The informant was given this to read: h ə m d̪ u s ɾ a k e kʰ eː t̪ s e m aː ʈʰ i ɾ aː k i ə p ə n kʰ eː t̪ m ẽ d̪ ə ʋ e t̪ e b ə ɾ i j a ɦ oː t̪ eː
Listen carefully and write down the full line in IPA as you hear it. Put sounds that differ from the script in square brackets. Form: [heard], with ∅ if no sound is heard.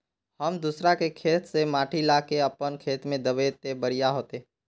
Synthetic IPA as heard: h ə m d̪ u s ɾ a k e kʰ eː t̪ s e m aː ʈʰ i [l] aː k [e] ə p ə n kʰ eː t̪ m ẽ d̪ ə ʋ e t̪ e b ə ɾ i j a ɦ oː t̪ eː